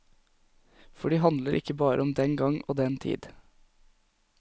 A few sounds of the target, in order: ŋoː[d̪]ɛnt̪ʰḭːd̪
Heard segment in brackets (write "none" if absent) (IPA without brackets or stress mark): d̪